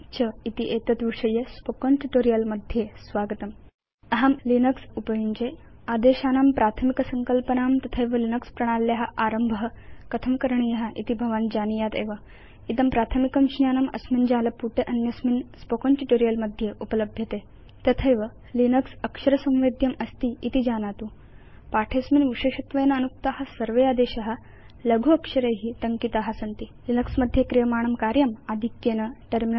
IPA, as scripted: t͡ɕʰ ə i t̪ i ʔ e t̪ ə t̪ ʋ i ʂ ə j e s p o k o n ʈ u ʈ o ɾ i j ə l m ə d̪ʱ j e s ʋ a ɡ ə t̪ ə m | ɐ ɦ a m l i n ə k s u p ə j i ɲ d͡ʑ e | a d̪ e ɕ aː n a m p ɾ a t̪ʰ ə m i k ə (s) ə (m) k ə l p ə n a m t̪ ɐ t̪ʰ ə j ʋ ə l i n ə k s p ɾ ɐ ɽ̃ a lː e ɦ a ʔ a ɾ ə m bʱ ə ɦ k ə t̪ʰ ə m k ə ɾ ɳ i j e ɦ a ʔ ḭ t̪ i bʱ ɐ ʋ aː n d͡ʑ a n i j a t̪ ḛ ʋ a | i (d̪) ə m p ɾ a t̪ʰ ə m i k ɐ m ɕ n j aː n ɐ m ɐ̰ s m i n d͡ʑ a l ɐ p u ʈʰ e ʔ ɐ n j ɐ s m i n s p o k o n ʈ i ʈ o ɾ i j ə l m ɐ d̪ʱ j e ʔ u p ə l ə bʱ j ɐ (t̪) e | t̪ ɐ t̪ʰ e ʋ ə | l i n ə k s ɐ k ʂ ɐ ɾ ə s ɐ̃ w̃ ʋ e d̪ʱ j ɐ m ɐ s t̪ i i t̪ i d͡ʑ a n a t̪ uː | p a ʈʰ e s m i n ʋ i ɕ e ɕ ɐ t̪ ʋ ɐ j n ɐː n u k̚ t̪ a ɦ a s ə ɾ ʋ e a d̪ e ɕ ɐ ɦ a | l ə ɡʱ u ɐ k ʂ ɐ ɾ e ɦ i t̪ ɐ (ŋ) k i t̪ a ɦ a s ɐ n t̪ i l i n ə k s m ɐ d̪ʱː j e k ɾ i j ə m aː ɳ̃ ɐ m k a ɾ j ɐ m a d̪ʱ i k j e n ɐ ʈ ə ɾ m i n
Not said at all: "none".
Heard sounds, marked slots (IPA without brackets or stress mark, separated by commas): s, ŋ, t̪, t̪, ŋ